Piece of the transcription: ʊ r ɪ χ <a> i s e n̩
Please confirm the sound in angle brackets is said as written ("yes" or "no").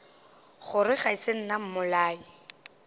yes